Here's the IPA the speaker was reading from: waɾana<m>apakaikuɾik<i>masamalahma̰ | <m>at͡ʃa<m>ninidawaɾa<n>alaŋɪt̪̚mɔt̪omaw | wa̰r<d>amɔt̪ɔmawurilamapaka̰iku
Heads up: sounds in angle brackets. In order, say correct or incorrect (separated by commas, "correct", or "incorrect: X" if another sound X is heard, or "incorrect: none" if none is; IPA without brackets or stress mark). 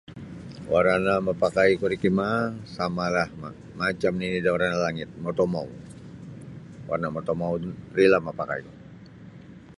correct, correct, correct, correct, correct, incorrect: n